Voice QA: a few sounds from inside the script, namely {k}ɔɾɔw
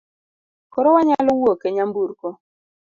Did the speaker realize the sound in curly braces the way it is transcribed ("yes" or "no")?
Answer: yes